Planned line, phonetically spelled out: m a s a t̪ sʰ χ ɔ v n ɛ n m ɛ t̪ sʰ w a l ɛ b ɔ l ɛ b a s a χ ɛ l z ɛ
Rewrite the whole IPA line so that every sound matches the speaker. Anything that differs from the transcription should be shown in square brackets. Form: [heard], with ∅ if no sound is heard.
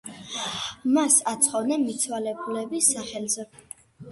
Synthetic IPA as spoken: m a s a t̪ sʰ χ ɔ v n ɛ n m [i] t̪ sʰ w a l ɛ b [u] l ɛ b [i] s a χ ɛ l z ɛ